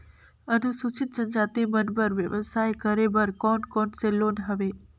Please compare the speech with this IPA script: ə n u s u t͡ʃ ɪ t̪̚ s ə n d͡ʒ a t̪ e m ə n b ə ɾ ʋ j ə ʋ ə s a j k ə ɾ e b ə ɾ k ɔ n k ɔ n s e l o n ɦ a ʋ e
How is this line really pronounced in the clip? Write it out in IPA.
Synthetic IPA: ə n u s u t͡ʃ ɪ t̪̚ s ə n d͡ʒ a t̪ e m ə n b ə ɾ ʋ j ə ʋ ə s a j k ə ɾ e b ə ɾ k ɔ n k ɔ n s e l o n ɦ ə ʋ e